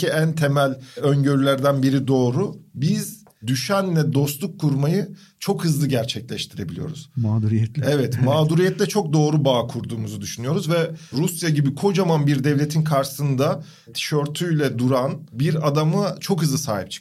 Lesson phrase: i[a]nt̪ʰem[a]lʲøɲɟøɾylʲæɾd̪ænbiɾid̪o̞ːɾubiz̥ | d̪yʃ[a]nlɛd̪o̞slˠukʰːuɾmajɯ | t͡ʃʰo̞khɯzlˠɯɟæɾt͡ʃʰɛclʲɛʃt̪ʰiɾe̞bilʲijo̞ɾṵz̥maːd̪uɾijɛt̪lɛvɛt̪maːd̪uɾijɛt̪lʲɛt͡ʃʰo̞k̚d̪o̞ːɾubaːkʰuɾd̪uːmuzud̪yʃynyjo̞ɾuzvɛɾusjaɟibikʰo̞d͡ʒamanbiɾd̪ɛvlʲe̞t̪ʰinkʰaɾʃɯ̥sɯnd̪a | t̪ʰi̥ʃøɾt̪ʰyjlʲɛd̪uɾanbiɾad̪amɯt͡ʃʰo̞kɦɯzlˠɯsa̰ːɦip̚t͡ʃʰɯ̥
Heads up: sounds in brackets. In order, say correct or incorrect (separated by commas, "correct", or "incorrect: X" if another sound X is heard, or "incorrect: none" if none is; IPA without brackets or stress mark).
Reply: incorrect: æ, incorrect: æ, incorrect: æ